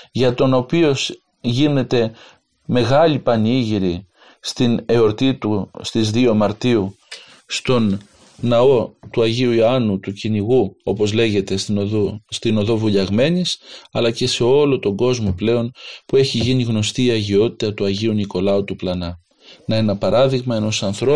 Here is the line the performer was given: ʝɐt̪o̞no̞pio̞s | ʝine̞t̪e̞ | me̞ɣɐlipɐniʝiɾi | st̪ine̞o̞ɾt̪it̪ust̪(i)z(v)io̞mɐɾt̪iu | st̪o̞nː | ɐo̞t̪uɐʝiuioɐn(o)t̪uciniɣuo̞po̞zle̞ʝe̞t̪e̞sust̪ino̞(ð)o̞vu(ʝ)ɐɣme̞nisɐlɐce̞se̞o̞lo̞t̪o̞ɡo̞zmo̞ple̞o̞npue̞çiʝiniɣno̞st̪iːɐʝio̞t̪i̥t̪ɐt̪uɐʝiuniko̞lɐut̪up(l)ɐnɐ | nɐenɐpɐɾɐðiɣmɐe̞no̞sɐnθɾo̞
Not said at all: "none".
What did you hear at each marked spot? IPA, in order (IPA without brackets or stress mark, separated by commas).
i, ð, u, ð, ʎ, l